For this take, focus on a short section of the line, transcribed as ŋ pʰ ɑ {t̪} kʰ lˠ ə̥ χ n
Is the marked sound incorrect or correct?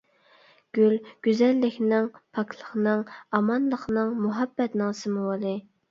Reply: incorrect: none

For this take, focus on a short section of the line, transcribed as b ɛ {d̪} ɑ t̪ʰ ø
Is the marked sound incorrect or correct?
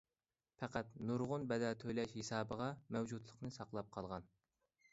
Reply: correct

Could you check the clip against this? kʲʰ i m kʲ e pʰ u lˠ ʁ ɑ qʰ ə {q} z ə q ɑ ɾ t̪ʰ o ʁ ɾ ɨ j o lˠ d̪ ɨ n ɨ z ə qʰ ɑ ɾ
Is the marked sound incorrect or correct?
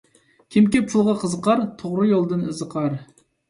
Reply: incorrect: none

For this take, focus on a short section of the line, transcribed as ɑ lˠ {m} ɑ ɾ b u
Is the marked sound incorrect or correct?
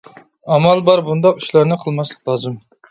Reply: incorrect: b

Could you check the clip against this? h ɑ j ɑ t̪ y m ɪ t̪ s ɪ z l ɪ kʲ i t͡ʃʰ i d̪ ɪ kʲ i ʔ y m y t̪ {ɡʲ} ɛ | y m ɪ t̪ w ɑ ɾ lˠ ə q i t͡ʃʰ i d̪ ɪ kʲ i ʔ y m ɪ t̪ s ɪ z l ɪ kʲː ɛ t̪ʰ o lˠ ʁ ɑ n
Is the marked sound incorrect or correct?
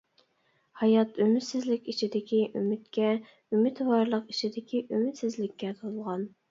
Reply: incorrect: kʲ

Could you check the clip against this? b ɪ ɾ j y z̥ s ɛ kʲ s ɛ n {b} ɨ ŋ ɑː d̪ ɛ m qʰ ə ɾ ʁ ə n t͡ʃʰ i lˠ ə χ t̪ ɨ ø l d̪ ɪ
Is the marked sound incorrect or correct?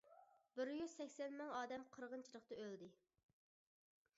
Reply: incorrect: m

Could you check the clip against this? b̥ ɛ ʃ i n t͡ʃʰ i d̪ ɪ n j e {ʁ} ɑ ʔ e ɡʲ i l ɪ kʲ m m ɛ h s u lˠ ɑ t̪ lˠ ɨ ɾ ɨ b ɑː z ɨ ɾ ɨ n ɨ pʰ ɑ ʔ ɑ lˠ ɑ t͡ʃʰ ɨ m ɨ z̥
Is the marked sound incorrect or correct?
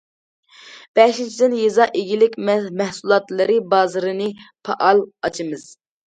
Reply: incorrect: z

